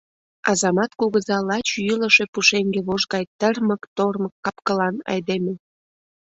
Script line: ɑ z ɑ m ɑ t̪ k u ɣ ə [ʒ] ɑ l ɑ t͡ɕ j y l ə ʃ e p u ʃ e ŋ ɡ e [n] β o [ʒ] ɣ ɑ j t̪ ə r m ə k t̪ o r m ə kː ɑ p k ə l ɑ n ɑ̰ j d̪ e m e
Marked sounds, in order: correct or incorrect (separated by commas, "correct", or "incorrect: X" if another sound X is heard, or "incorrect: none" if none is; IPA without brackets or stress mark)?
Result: incorrect: z, incorrect: none, correct